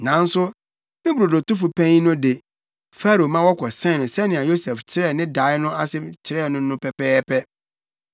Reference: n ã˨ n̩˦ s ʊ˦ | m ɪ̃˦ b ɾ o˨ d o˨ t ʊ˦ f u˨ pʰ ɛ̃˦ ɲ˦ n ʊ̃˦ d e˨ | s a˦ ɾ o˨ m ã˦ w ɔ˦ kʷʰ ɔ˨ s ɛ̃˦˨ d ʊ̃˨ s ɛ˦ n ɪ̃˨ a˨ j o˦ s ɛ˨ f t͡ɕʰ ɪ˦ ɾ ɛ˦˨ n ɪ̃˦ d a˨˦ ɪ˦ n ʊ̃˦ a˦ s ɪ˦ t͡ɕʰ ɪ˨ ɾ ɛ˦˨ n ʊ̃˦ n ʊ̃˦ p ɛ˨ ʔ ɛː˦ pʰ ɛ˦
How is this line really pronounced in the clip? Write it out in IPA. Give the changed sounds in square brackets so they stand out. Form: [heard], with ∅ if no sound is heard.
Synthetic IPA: n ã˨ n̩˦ s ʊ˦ | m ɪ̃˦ b ɾ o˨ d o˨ t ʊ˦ f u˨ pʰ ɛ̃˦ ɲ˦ n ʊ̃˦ d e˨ | [f] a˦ ɾ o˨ m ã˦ w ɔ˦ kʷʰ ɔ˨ s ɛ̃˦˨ [n] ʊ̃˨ s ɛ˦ n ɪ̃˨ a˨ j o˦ s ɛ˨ f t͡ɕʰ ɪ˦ ɾ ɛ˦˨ n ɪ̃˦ d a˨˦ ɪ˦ n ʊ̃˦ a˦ s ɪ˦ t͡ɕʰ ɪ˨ ɾ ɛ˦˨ n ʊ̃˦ n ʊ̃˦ p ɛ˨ [p] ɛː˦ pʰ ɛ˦